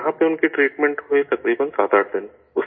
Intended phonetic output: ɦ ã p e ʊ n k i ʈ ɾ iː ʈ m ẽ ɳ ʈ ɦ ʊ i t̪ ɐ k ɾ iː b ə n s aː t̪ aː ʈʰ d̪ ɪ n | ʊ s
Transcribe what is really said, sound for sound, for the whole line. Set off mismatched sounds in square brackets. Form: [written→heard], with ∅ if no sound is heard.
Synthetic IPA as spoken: ɦ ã p e ʊ n k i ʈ ɾ iː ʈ m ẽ ɳ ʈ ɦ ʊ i t̪ ɐ k ɾ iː b ə n s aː t̪ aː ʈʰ d̪ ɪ n | ʊ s